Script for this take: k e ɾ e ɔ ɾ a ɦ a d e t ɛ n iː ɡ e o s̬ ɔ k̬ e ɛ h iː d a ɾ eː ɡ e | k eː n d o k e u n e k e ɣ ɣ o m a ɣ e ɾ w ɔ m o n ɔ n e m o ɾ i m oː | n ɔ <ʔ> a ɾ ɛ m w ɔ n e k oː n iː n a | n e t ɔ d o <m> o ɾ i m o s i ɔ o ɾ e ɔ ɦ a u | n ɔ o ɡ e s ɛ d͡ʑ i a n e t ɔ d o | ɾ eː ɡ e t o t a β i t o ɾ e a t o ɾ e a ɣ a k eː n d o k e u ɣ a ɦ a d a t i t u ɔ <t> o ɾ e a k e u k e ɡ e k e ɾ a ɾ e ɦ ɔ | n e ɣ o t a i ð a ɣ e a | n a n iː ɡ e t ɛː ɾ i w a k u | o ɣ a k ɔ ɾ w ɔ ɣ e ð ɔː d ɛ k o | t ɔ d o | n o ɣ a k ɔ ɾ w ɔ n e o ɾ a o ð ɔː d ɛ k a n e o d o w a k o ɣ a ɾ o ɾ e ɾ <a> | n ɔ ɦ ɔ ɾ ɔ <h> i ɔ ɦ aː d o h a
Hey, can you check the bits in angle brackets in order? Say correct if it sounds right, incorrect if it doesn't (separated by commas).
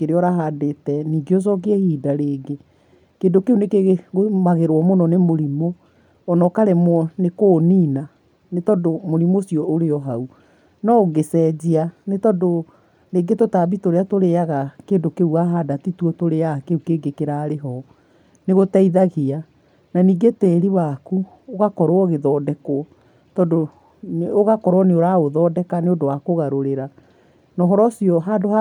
incorrect, correct, correct, correct, incorrect